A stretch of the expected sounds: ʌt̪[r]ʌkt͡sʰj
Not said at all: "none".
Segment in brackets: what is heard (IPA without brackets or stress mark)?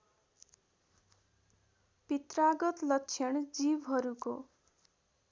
l